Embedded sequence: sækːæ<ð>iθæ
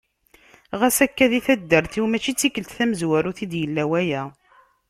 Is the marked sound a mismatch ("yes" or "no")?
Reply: no